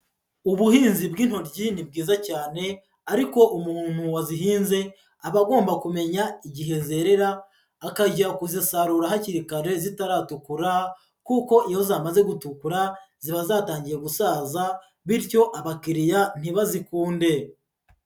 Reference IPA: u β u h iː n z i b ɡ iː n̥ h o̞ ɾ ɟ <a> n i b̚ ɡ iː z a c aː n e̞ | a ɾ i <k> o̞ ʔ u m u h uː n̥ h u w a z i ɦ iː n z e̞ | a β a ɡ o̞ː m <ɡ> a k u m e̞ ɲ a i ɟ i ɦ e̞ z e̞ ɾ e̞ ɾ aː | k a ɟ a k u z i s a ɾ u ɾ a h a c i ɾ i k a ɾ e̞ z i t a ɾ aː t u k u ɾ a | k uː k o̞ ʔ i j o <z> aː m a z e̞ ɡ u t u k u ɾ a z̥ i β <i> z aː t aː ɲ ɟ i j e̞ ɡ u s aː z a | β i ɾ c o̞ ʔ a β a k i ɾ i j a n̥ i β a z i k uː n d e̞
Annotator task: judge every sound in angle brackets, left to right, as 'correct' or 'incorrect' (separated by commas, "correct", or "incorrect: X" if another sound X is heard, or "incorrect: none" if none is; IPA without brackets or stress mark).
incorrect: i, correct, incorrect: b, correct, incorrect: a